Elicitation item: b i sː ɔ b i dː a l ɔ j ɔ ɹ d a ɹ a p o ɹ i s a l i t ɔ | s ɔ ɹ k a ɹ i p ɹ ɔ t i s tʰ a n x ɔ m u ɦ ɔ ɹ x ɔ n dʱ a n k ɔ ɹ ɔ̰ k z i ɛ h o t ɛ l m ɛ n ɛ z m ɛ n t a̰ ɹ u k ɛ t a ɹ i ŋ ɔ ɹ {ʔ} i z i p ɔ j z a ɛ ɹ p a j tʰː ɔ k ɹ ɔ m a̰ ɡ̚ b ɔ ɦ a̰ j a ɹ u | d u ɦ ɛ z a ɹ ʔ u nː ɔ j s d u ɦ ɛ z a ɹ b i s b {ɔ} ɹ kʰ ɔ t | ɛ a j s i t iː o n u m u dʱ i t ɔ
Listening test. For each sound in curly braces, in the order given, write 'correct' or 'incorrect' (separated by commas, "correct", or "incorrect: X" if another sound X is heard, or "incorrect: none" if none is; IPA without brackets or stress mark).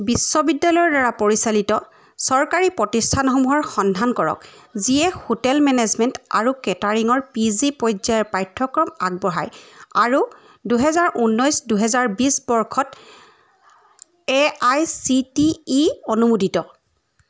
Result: incorrect: p, correct